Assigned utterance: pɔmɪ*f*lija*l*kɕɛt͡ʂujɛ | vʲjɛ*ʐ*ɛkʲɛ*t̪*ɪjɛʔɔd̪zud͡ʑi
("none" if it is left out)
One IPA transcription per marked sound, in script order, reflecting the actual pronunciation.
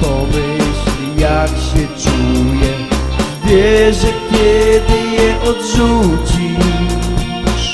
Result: ɕ, none, ʐ, d̪

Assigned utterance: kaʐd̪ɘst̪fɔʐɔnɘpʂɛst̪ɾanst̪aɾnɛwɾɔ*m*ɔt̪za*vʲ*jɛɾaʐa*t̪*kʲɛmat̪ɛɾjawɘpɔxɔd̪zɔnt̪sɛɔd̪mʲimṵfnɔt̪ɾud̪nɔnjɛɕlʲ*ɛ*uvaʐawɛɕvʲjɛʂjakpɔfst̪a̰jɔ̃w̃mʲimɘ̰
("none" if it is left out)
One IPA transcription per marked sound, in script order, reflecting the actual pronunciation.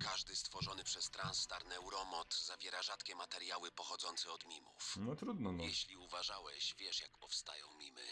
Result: m, vʲ, t̪, i

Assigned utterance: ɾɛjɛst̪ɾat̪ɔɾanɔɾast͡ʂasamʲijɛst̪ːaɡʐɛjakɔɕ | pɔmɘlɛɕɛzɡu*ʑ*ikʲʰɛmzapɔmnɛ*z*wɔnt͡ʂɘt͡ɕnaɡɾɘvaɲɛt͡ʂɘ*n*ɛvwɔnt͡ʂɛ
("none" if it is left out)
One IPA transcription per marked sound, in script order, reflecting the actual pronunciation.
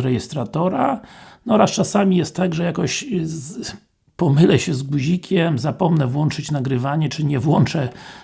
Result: ʑ, v, ɲ

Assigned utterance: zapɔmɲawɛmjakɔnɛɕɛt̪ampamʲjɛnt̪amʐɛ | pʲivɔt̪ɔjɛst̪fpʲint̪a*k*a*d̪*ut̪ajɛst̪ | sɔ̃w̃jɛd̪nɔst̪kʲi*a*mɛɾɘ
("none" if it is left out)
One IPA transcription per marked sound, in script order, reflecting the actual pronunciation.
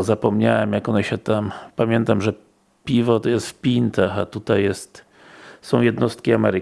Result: x, t̪, a

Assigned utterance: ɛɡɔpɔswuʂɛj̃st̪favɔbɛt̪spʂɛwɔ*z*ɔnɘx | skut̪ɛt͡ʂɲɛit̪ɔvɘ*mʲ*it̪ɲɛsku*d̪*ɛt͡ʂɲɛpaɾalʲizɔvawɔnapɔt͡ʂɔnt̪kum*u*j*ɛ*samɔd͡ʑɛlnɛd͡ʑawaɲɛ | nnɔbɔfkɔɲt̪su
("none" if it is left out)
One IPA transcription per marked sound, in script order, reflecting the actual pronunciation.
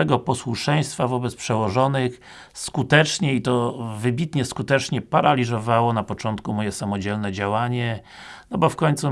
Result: ʐ, bʲ, t̪, ɔ, ɛ

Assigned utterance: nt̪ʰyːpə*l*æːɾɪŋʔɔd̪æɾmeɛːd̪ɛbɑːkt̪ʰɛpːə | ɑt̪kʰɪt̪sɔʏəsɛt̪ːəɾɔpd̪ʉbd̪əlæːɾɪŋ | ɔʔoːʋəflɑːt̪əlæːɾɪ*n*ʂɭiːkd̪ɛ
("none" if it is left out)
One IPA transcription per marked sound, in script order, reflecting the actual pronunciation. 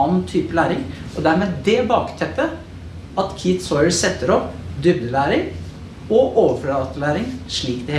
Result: l, ŋ

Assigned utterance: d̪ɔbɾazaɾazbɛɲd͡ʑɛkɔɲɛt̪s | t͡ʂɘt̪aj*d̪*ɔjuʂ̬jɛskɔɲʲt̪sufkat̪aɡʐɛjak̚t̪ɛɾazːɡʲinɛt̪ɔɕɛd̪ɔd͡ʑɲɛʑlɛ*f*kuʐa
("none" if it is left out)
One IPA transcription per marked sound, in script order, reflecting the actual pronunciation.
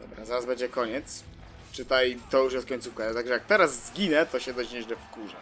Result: t̪, f

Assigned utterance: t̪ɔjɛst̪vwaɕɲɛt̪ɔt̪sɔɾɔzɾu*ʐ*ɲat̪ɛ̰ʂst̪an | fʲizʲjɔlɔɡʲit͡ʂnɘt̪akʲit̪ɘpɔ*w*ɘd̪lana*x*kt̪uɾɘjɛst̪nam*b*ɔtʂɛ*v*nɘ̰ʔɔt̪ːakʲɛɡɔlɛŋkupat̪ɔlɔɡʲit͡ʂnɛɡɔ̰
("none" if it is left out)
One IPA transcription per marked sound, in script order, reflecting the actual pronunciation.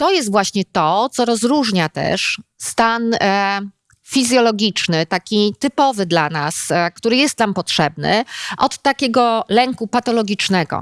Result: ʐ, v, s, p, b

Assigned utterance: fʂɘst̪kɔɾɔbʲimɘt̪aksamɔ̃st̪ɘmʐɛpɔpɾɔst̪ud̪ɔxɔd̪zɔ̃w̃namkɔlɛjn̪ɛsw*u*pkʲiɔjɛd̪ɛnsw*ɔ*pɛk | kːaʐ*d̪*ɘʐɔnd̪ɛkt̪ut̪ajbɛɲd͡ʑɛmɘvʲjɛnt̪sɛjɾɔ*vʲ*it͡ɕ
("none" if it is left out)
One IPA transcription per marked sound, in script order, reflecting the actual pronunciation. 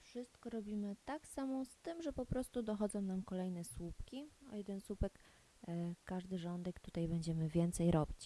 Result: u, u, d̪, bʲ

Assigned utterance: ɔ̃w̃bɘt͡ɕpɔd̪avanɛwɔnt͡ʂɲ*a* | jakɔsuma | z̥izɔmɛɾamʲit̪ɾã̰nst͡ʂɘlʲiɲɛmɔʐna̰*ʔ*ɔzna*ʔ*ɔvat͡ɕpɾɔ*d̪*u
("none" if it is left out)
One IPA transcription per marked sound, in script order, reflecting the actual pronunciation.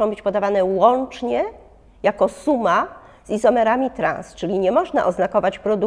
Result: ɛ, ʔ, k, d̪

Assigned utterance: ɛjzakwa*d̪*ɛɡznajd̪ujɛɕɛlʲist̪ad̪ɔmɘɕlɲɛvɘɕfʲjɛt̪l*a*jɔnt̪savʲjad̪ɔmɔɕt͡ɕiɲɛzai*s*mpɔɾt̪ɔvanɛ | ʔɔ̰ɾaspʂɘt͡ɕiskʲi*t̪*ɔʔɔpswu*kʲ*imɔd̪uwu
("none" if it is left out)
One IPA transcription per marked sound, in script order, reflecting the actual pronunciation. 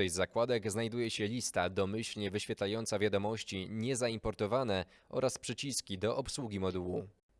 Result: d̪, a, none, d̪, ɡʲ

